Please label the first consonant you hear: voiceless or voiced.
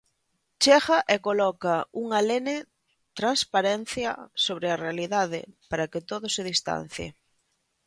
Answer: voiceless